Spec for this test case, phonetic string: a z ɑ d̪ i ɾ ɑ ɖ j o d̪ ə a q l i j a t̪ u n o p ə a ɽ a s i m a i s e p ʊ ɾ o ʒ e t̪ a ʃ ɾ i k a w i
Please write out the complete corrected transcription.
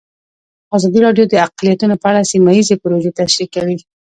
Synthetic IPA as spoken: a z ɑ d̪ i ɾ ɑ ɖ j o d̪ ə a q l i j a t̪ u n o p ə a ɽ a s i m a i z e p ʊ ɾ o ʒ e t̪ a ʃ ɾ i k a w i